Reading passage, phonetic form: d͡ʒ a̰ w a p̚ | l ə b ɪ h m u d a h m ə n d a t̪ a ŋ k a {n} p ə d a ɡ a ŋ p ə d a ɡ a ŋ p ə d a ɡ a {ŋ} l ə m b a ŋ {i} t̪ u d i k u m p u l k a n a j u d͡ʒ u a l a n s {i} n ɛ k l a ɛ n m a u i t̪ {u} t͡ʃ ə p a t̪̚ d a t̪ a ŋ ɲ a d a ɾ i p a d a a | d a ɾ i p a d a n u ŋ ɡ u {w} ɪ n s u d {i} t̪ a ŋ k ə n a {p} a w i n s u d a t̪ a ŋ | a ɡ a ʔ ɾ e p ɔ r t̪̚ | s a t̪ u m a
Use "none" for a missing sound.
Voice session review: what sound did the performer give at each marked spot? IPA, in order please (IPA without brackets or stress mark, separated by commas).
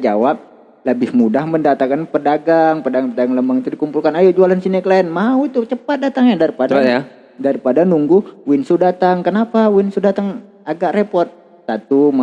n, ŋ, i, i, u, w, a, p